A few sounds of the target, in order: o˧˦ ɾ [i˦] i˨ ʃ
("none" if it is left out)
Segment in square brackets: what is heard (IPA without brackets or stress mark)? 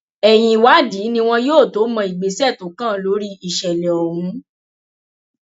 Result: i˦